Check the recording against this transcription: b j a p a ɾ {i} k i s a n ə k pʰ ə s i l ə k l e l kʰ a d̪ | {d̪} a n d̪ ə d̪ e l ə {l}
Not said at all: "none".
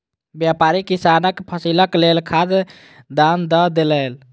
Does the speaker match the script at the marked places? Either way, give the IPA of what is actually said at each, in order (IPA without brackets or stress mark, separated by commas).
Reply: i, d̪, l